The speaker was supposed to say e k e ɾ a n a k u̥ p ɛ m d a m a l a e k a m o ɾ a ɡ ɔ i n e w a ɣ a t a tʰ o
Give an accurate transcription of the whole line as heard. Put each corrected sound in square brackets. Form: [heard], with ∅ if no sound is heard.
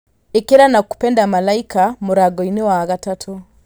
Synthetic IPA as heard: e k e ɾ a n a k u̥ p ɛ [n] d a m a l a [i] k a m o ɾ a ɡ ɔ i n e w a ɣ a t a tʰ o

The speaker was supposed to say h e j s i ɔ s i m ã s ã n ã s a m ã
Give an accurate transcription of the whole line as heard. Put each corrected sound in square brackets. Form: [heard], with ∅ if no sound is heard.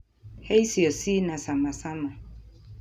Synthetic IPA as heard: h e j s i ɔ s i [n] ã s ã [m] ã s a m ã

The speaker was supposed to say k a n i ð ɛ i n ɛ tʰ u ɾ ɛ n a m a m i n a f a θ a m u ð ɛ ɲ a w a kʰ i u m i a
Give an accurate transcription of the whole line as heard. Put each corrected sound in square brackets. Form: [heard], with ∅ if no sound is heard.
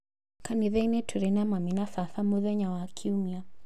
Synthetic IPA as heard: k a n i ð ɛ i n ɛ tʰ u ɾ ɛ n a m a m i n a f a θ a m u ð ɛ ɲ a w a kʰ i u m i a

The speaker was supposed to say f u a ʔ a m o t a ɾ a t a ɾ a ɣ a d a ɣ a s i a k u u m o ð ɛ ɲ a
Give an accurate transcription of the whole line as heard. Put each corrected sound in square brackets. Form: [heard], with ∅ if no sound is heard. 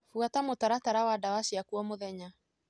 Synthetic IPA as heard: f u a [t] a m o t a ɾ a t a ɾ a [w] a d a [w] a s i a k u [ɔ] m o ð ɛ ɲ a

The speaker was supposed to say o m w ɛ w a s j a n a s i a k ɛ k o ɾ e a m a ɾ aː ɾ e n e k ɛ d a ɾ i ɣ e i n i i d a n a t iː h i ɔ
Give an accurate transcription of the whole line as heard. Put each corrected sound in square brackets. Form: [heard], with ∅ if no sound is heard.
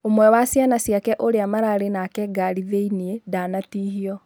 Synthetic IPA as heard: o m w ɛ w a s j a n a s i a k ɛ [ʔ] o ɾ e a m a ɾ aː ɾ e n [a] k ɛ [ɡ] a ɾ i [ð] e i n i [e] d a n a t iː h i ɔ

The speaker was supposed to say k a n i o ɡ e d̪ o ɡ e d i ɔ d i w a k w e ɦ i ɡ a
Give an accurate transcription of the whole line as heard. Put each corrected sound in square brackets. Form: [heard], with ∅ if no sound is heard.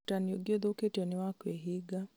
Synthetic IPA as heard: [t] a n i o ɡ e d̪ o [k] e [t] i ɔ [n] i w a k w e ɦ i ɡ a

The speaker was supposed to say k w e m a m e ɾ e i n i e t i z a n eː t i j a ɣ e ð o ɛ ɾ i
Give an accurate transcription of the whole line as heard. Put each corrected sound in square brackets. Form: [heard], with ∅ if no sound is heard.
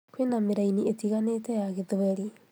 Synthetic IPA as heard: k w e [n] a m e ɾ [a] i n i e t i [ɣ] a n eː t [ɛ] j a ɣ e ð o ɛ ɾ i

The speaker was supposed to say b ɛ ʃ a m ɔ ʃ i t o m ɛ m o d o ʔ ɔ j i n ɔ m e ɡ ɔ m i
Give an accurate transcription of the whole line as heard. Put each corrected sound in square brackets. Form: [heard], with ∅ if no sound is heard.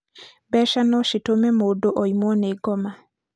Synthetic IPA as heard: b ɛ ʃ a [n] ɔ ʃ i t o m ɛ m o d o ʔ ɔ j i [m] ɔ [n] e ɡ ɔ m [a]

